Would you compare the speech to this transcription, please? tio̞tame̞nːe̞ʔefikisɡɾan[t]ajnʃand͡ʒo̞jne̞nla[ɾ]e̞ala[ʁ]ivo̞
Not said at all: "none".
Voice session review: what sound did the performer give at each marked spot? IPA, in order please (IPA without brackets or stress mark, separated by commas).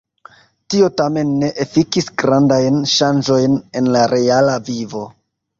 d, ɾ, v